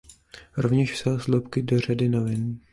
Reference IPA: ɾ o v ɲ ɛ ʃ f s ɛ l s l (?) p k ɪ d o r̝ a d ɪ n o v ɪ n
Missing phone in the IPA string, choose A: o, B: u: A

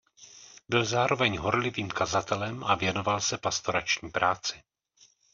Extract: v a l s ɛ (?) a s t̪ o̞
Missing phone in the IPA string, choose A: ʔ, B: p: B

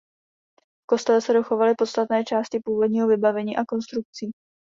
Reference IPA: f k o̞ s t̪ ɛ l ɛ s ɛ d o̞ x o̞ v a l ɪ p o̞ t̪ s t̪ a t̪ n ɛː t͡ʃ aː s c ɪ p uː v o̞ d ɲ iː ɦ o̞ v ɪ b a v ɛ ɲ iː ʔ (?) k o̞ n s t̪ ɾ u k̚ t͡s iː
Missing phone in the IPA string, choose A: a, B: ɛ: A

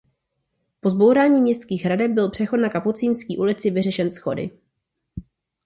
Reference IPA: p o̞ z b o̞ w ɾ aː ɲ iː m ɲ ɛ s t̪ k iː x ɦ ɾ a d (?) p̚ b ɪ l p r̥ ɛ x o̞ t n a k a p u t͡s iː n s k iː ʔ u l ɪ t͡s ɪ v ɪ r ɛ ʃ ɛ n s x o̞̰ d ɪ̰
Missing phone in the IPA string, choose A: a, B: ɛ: B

